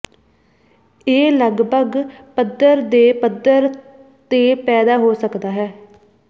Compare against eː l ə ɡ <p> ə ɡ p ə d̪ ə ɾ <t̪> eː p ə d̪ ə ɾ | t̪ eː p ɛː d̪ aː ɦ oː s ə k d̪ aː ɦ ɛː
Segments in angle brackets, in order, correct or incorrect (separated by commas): incorrect, incorrect